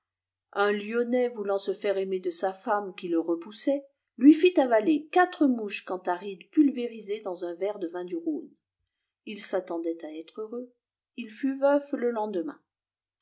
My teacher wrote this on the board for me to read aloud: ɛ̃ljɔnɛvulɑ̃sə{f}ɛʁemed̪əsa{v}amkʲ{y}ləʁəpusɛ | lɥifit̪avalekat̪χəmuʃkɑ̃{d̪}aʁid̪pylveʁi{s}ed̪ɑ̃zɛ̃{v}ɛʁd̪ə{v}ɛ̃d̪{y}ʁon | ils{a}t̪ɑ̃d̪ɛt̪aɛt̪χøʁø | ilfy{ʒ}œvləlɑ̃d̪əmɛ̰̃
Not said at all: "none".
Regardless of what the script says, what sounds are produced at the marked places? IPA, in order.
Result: f, f, i, t̪, z, v, v, y, a, v

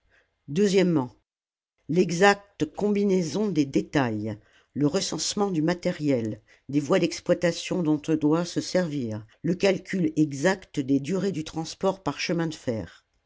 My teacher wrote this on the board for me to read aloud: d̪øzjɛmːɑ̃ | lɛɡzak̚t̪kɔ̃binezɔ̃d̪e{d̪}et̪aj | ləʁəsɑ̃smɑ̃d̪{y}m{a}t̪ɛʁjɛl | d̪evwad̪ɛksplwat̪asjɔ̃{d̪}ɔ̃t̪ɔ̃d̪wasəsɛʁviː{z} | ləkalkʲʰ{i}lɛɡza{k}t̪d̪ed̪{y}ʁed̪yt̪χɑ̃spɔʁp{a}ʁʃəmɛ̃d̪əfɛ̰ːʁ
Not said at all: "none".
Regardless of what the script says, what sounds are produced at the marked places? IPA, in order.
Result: d̪, y, a, d̪, ʁ, y, k, y, a

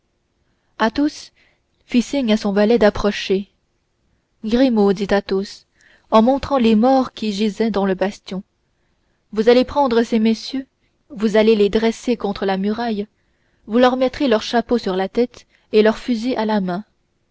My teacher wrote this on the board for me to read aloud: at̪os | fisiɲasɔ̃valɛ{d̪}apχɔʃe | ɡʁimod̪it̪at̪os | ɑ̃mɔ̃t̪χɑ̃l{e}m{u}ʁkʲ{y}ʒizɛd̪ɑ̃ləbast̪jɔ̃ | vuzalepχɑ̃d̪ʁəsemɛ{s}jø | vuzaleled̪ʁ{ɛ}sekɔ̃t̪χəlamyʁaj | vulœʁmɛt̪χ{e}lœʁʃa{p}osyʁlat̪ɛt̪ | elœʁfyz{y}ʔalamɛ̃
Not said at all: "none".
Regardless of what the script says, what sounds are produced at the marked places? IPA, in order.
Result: d̪, e, ɔ, i, s, ɛ, e, p, i

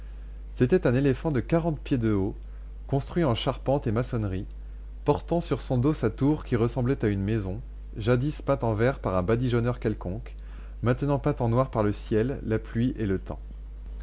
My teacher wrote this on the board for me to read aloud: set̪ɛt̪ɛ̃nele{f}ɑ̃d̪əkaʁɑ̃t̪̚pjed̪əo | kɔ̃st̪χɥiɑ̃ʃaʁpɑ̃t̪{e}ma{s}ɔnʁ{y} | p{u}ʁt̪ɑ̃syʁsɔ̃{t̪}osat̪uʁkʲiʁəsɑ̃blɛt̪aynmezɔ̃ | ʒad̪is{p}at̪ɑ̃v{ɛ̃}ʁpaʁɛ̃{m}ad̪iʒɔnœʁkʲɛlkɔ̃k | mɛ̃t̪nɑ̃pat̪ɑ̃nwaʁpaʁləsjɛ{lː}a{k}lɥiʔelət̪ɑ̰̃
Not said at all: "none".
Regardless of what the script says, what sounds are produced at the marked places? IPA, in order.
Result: f, e, s, i, ɔ, d̪, p, ɛ, b, lː, p

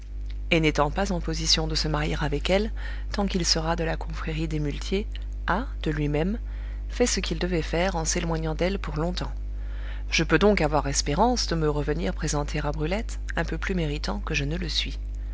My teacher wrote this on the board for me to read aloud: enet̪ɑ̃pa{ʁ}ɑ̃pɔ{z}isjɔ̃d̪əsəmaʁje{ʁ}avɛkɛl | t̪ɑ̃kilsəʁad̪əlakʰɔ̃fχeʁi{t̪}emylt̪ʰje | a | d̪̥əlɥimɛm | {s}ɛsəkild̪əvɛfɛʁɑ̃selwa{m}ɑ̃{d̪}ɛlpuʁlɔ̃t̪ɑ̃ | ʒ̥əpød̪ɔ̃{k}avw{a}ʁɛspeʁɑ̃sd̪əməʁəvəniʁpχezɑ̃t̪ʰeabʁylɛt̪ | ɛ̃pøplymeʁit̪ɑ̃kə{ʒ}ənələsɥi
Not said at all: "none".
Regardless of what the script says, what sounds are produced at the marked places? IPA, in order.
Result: z, z, ʁ, d̪, f, ɲ, d̪, k, a, ʒ

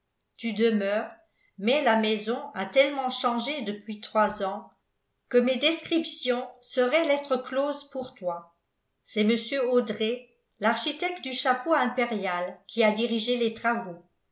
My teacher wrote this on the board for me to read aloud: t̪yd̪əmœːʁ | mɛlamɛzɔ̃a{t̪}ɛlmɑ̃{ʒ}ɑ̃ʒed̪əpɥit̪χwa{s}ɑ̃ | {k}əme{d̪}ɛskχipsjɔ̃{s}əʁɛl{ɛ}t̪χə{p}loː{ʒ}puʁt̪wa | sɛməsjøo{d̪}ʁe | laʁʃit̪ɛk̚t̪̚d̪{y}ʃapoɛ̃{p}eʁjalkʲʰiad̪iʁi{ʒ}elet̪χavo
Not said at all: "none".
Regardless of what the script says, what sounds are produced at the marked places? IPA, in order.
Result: t̪, ʃ, z, k, d̪, s, ɛ, k, z, d̪, y, p, ʒ

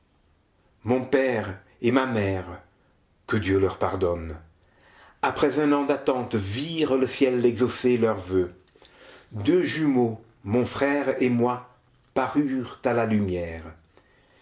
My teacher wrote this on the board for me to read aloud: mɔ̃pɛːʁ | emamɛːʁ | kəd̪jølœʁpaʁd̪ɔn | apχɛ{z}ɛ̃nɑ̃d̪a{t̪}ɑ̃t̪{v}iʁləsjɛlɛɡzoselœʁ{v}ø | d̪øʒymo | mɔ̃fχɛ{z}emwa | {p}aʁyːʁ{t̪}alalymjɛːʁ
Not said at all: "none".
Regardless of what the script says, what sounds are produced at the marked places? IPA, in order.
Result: z, t̪, v, v, ʁ, p, t̪

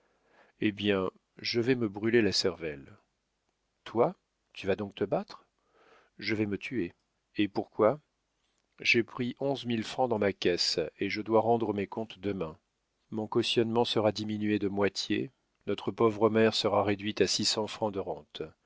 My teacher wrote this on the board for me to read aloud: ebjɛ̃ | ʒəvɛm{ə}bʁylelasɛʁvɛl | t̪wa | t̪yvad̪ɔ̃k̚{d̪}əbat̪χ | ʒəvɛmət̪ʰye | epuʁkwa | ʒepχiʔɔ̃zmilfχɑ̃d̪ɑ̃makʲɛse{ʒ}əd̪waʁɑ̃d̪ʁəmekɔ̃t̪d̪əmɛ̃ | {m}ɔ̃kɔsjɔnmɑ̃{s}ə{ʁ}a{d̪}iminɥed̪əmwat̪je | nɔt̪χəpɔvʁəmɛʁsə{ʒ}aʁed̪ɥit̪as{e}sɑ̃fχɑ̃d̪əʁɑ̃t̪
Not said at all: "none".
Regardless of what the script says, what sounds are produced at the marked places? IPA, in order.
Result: ə, t̪, ʒ, m, s, ʁ, d̪, ʁ, i

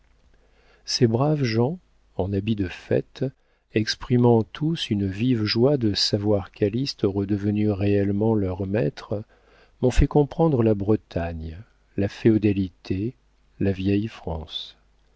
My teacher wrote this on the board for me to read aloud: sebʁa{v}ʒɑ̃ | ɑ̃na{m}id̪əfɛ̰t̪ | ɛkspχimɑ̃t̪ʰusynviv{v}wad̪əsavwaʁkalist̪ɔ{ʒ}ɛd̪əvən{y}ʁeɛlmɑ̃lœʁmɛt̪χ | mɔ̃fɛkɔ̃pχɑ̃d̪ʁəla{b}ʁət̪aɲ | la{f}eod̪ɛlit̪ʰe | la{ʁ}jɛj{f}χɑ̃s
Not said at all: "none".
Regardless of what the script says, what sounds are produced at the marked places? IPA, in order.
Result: v, b, ʒ, ʁ, y, b, f, v, f

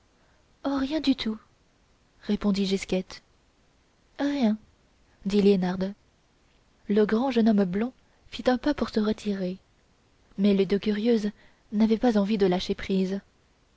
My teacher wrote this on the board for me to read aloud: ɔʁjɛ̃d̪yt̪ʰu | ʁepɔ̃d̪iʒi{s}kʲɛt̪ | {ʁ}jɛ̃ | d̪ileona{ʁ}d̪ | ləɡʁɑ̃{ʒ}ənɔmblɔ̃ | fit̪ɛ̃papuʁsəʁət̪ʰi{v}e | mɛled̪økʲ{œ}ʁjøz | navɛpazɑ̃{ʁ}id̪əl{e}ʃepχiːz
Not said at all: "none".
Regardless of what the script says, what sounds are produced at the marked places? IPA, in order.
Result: s, ʁ, ʁ, ʒ, ʁ, y, v, a

